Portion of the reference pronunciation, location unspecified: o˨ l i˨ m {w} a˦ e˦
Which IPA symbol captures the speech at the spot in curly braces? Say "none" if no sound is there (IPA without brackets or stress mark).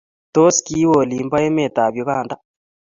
b